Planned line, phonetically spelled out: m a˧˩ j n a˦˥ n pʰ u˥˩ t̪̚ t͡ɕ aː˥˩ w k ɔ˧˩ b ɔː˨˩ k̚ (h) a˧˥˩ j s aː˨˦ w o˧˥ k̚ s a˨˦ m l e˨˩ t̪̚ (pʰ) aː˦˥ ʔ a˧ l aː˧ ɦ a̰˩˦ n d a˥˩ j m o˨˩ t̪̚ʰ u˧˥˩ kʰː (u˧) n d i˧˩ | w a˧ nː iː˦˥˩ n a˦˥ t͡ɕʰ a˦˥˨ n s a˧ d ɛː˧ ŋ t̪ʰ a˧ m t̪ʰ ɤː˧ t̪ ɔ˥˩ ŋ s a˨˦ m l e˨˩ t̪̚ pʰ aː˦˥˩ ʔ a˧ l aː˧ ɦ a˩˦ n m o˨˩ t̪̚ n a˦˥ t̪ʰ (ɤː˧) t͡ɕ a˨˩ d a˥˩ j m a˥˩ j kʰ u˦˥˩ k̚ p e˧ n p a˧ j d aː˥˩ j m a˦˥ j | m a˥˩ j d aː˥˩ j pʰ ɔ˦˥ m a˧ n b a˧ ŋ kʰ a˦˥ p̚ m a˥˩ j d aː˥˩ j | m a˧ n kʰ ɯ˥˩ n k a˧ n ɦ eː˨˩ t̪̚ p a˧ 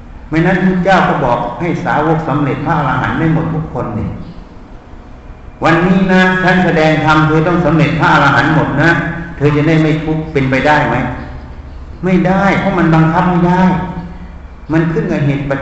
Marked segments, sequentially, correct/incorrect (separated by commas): correct, correct, incorrect, correct